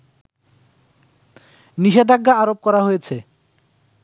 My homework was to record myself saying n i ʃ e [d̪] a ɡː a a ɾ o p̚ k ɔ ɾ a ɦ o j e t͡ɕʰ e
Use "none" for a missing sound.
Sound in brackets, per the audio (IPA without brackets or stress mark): d̪